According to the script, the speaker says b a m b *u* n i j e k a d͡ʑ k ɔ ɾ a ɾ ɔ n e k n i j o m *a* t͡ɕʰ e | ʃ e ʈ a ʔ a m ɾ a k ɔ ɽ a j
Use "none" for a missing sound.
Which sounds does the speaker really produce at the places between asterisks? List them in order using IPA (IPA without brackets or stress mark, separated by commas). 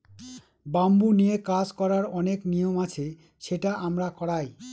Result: u, a